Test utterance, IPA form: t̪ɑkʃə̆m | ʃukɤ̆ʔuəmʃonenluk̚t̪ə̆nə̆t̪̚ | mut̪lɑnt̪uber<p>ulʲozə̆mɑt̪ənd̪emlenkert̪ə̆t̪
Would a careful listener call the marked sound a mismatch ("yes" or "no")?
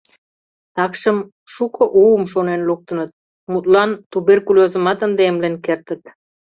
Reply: yes